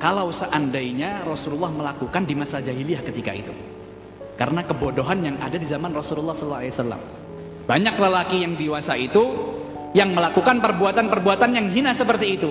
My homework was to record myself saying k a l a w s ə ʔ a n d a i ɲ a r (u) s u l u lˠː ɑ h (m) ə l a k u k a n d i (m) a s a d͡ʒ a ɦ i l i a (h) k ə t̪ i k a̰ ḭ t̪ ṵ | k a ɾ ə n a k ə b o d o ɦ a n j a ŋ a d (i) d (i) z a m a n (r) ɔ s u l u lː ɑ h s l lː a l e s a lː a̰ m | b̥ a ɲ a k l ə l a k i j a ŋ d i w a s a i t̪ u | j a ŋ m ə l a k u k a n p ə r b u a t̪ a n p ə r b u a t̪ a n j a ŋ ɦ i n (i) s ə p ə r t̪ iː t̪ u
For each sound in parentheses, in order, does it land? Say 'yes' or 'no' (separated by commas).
no, yes, yes, yes, no, yes, yes, no